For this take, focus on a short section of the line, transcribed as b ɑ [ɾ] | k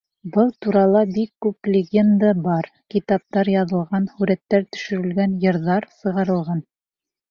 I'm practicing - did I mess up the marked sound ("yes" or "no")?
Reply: no